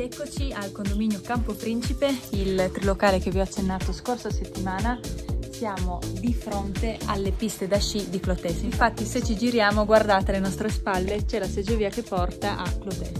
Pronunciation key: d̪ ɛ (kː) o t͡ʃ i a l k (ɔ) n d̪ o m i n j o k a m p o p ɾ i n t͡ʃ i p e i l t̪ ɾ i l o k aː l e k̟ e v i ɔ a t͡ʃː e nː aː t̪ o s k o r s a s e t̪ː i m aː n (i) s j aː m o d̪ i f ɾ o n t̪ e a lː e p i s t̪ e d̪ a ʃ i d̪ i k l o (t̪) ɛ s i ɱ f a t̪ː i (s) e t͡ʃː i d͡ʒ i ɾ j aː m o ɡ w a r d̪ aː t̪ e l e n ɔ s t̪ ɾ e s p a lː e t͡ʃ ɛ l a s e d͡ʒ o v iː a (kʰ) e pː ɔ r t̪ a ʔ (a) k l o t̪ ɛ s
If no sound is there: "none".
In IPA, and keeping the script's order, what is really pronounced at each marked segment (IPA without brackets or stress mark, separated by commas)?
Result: kː, o, a, t̪, s, k, a